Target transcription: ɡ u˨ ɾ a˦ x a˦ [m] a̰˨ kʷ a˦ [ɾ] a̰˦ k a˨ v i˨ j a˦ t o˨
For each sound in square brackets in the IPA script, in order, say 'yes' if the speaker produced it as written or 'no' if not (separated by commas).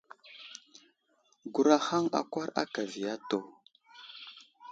no, yes